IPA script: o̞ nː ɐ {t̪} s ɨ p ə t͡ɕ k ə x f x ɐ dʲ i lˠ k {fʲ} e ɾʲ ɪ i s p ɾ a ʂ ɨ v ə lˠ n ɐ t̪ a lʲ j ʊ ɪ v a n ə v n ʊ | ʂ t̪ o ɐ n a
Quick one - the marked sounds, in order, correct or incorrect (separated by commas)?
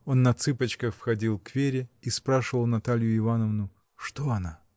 correct, incorrect